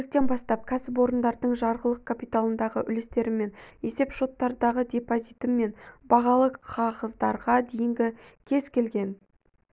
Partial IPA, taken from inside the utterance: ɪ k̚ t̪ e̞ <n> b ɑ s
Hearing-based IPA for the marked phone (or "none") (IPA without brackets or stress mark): n